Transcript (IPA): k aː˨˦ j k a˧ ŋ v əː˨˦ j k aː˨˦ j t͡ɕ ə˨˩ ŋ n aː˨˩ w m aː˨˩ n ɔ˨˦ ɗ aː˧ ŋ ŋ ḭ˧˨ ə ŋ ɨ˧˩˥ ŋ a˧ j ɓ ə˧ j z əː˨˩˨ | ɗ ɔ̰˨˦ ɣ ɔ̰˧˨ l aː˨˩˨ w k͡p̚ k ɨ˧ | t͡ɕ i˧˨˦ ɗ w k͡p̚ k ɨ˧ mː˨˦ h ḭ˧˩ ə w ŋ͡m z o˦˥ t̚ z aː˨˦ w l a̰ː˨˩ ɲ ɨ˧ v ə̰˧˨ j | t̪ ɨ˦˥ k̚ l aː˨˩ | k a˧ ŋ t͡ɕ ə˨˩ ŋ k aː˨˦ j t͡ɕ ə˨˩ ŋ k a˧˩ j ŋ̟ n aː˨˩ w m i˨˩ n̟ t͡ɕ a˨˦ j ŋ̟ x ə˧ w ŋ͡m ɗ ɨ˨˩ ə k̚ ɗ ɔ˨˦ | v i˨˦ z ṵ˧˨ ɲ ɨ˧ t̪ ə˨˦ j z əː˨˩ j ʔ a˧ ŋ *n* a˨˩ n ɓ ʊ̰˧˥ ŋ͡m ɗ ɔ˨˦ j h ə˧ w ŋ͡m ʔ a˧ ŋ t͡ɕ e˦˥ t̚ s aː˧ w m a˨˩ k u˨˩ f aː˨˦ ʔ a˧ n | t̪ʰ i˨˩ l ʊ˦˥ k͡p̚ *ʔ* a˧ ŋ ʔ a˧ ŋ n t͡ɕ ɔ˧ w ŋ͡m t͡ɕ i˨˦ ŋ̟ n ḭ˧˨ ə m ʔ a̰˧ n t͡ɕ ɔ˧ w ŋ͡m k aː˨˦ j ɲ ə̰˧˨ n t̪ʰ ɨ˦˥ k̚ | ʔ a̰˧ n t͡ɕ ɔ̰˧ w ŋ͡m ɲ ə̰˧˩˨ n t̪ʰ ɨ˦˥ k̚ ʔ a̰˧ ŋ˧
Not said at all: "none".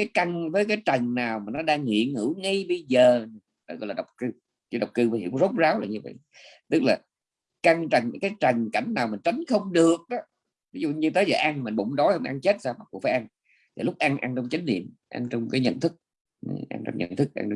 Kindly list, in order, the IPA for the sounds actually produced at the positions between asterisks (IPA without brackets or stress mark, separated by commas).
m, ʔ